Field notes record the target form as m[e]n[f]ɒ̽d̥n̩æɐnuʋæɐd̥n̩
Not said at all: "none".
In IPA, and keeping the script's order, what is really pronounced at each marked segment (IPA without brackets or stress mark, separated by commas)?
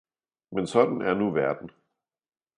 e, s